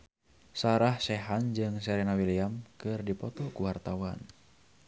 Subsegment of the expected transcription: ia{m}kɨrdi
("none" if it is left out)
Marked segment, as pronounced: m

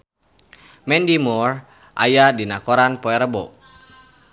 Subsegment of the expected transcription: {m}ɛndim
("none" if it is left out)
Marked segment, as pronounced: m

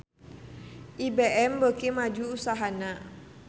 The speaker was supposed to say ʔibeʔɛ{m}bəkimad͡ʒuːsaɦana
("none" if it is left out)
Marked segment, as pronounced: m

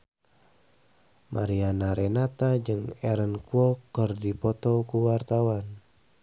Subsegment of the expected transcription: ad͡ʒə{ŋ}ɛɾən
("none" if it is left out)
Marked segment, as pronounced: ŋ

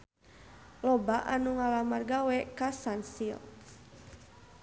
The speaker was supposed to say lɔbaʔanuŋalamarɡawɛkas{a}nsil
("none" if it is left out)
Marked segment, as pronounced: a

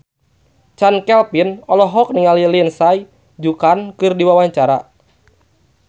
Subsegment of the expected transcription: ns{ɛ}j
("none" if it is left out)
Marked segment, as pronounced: a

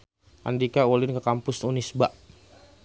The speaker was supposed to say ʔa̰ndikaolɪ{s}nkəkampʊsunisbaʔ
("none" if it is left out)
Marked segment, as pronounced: none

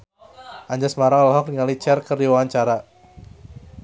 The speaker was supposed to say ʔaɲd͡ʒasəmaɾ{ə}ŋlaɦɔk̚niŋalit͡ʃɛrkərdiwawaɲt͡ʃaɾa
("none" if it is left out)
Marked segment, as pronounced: a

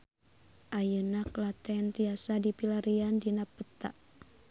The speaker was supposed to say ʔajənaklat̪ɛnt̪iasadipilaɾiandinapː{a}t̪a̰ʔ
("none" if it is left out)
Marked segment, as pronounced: ə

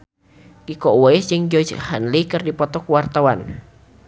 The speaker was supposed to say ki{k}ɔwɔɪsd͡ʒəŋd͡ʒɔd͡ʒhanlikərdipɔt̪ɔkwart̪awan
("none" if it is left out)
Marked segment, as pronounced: k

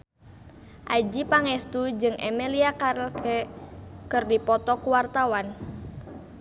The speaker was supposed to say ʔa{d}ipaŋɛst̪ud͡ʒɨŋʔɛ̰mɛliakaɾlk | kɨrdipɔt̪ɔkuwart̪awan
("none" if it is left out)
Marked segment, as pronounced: d͡ʒ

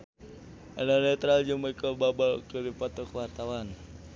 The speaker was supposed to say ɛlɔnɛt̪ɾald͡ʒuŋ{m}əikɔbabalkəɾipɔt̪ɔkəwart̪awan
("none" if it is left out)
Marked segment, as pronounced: m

